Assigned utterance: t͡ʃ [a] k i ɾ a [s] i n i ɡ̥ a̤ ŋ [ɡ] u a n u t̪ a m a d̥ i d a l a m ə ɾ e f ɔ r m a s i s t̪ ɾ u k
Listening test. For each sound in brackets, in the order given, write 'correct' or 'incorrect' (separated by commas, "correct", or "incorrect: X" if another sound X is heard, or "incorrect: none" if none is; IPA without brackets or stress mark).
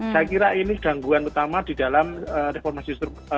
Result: correct, incorrect: none, correct